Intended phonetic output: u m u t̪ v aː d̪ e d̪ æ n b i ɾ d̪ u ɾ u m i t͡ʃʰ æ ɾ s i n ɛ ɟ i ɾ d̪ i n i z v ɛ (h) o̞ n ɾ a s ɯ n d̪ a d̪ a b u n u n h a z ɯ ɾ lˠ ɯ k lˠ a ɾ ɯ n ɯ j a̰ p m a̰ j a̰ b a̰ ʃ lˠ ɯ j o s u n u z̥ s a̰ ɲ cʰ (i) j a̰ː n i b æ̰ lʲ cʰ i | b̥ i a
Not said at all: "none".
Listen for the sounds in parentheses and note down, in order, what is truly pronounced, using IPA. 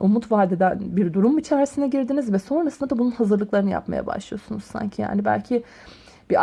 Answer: s, i

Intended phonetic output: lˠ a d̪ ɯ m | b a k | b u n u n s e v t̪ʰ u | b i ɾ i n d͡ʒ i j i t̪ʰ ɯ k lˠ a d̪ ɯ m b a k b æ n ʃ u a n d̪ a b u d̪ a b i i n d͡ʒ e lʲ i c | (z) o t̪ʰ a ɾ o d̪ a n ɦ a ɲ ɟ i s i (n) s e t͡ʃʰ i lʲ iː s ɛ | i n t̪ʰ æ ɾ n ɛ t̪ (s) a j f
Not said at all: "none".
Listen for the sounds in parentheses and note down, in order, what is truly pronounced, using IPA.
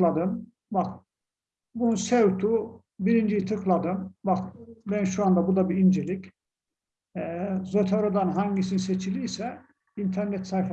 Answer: z, n, s

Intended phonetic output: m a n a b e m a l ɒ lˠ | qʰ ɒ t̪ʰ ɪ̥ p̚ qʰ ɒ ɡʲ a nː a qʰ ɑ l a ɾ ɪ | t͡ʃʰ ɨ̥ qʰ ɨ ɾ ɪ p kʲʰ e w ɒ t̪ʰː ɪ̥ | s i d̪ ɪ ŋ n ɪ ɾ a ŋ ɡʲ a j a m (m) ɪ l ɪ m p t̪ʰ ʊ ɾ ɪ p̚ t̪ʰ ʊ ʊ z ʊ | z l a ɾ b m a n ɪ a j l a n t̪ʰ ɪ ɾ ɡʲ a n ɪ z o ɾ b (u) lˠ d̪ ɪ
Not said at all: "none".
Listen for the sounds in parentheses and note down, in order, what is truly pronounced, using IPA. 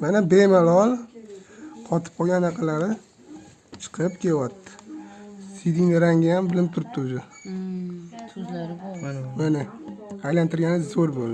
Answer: b, o

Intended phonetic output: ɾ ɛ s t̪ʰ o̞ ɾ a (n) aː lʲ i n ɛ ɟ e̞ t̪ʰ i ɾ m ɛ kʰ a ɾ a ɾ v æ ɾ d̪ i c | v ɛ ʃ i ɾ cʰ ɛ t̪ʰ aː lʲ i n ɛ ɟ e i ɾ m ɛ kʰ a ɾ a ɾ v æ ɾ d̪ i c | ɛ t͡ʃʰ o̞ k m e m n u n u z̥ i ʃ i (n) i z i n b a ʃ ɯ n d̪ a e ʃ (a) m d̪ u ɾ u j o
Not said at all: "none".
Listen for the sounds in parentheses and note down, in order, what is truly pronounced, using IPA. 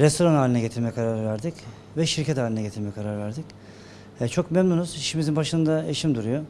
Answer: n, m, i

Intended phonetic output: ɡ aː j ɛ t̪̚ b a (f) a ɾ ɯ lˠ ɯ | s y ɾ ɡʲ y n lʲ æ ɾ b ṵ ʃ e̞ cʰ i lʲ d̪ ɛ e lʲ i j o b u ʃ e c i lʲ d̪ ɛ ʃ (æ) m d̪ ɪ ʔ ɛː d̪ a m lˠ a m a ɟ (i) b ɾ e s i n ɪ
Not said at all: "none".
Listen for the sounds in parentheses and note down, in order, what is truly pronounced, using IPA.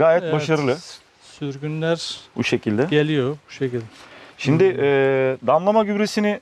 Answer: ʃ, i, y

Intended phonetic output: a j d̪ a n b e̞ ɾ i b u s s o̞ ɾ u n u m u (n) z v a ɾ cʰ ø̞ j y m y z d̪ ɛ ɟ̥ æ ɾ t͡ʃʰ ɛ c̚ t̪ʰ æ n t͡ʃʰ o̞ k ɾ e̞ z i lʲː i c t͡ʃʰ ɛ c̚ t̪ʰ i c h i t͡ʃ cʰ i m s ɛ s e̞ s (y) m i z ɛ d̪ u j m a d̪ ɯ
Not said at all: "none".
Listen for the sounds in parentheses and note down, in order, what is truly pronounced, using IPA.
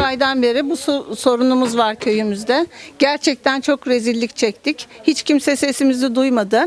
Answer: none, i

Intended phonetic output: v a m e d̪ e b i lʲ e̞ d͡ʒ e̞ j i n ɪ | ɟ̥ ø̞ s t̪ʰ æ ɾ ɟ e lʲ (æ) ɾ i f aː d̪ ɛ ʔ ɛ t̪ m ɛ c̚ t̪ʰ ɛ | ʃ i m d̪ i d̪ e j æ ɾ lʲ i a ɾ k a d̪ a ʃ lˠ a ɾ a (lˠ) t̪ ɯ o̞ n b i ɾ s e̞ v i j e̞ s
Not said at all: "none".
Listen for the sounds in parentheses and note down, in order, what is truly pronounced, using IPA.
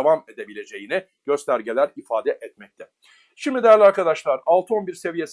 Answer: æ, lˠ

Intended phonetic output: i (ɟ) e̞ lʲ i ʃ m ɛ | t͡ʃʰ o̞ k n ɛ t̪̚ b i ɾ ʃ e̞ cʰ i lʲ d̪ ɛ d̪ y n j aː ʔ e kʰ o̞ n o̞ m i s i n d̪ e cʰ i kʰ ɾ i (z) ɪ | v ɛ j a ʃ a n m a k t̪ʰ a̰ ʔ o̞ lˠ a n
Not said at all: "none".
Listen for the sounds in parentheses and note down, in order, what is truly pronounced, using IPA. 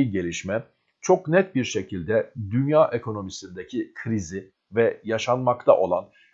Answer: ɟ, z

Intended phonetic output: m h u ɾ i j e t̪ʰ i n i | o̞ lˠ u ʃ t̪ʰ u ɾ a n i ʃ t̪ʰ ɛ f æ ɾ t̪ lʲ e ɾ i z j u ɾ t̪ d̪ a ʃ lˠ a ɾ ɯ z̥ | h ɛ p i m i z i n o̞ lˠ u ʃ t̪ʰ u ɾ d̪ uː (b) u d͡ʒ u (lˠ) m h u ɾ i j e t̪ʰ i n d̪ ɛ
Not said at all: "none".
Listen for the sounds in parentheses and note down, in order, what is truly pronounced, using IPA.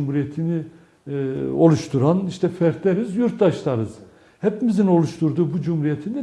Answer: b, none

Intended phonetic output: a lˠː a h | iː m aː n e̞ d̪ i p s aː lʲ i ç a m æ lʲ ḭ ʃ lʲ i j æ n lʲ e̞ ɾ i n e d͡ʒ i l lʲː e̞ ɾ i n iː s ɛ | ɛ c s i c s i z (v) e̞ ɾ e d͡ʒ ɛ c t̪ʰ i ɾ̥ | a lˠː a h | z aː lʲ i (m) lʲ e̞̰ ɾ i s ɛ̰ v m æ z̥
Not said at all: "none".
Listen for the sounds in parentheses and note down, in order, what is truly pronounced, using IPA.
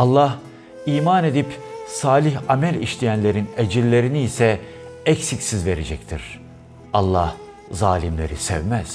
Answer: v, m

